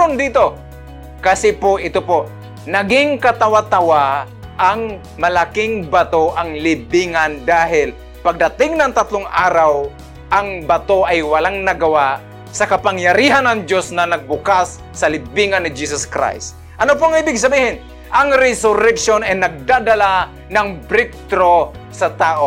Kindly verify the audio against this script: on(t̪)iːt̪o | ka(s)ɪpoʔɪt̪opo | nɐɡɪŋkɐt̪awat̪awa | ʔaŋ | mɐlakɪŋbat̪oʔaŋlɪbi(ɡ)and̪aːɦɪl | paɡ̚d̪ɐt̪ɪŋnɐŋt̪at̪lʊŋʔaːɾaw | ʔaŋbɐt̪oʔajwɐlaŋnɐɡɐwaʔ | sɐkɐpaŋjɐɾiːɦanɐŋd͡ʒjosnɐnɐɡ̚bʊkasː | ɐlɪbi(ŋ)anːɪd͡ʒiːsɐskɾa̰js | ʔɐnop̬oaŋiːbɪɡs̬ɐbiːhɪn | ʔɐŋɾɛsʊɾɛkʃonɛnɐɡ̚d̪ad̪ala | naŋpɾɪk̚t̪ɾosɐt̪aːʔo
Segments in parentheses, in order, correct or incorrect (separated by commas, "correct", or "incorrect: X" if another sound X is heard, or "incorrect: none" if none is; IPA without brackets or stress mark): incorrect: d̪, correct, incorrect: ŋ, correct